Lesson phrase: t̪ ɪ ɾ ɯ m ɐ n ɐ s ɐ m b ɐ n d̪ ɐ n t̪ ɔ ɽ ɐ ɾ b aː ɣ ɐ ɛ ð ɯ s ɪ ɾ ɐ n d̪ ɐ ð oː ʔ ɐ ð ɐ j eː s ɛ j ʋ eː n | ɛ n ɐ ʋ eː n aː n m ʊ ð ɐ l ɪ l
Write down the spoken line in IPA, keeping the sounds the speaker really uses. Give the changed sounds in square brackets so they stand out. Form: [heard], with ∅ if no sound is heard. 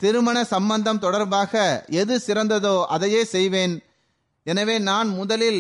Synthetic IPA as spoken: t̪ ɪ ɾ ɯ m ɐ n ɐ s ɐ m b ɐ n d̪ ɐ [m] t̪ ɔ ɽ ɐ ɾ b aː ɣ ɐ ɛ ð ɯ s ɪ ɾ ɐ n d̪ ɐ ð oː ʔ ɐ ð ɐ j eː s ɛ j ʋ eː n | ɛ n ɐ ʋ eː n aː n m ʊ ð ɐ l ɪ l